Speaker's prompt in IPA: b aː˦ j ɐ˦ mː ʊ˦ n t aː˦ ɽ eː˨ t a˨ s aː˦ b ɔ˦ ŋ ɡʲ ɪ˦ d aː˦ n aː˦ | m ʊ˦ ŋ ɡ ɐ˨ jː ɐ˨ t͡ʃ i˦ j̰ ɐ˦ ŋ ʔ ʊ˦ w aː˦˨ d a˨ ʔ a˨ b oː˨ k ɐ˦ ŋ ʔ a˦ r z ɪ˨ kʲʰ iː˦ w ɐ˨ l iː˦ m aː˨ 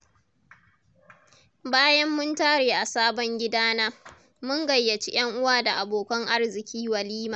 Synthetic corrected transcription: b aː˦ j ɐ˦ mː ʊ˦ n t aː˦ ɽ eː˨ ʔ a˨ s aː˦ b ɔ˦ ŋ ɡʲ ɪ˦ d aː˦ n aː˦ | m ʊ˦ ŋ ɡ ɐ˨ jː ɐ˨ t͡ʃ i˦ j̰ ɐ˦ ŋ ʔ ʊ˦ w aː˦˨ d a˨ ʔ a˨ b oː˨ k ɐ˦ ŋ ʔ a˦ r z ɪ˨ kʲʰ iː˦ w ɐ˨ l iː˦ m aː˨